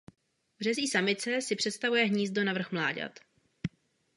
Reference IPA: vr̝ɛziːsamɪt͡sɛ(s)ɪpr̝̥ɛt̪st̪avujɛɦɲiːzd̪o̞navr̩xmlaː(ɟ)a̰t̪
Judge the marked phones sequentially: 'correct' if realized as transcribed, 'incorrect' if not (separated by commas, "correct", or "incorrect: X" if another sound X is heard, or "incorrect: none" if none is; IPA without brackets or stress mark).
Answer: correct, correct